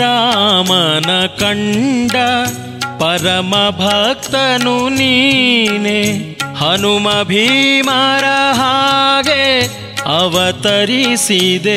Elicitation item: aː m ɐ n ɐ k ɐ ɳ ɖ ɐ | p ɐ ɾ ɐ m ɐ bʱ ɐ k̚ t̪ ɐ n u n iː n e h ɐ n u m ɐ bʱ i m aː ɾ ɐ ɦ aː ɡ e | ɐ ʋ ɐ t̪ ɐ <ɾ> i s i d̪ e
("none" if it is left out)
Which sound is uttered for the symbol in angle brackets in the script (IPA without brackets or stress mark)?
ɾ